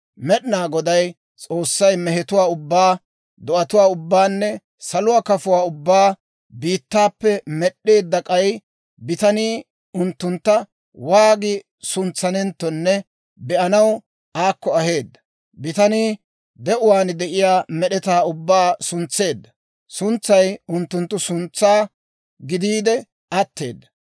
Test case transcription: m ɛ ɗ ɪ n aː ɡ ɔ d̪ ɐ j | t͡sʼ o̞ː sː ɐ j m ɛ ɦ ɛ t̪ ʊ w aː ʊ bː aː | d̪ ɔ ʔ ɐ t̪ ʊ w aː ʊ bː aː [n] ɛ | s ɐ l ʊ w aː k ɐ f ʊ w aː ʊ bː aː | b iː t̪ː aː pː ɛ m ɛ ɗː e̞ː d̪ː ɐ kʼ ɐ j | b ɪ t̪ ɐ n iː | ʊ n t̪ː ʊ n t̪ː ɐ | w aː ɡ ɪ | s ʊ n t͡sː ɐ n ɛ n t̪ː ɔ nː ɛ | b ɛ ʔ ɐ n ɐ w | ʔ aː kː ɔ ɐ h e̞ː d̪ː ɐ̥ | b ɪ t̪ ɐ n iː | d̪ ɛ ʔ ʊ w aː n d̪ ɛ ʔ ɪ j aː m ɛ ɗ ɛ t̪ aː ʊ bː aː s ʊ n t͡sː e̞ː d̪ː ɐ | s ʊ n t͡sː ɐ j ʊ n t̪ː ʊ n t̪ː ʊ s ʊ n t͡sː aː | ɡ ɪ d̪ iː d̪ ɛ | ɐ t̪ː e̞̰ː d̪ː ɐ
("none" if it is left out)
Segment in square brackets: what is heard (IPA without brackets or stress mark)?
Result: nː